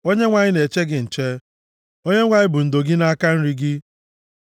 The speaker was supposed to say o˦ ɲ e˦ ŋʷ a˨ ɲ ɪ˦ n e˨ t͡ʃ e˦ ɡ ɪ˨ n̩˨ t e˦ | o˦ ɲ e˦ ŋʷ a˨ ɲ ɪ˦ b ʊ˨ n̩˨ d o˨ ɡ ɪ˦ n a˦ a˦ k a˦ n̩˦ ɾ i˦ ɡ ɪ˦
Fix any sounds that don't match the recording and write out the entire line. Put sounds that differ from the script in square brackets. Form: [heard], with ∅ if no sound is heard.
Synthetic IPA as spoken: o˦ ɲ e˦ ŋʷ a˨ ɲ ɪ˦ n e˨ t͡ʃ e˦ ɡ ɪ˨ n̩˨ [t͡ʃ] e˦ | o˦ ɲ e˦ ŋʷ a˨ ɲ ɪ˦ b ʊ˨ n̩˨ d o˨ ɡ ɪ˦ n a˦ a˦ k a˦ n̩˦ ɾ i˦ ɡ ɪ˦

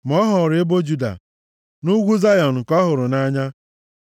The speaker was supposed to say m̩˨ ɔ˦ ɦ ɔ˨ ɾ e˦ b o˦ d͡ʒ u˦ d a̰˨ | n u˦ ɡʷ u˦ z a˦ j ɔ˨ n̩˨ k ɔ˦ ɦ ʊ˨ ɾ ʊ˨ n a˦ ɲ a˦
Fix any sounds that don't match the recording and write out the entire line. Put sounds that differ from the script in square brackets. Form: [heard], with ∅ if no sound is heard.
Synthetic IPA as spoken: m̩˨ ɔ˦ ɦ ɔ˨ ɾ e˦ b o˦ d͡ʒ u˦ d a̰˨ | n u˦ ɡʷ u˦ z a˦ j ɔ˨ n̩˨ k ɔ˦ ɦ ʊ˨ ɾ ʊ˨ n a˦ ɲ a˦

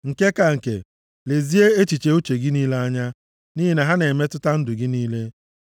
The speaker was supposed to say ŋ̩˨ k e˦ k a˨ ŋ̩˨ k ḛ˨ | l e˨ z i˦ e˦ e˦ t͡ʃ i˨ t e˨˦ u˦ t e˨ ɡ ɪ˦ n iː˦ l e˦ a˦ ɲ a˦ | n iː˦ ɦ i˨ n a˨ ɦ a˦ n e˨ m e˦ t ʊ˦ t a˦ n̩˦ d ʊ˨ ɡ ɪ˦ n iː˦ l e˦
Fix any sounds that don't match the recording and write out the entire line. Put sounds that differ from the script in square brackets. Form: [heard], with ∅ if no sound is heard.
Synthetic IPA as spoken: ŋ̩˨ k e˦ k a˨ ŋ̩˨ k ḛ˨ | l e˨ z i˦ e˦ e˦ t͡ʃ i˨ [t͡ʃ] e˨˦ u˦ [t͡ʃ] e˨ ɡ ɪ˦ n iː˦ l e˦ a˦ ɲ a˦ | n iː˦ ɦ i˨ n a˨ ɦ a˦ n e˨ m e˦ t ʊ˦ t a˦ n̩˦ d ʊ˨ ɡ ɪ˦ n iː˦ l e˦

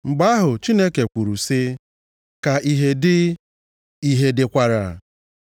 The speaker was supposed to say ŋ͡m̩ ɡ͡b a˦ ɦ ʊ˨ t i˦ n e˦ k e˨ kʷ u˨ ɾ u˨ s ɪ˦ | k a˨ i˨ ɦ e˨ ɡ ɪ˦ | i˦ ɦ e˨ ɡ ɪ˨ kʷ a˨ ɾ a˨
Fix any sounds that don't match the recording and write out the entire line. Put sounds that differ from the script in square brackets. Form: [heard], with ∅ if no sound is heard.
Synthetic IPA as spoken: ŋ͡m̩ ɡ͡b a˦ ɦ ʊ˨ [t͡ʃ] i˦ n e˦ k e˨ kʷ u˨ ɾ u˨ s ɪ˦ | k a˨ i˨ ɦ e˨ [d] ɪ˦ | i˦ ɦ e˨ [d] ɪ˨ kʷ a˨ ɾ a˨

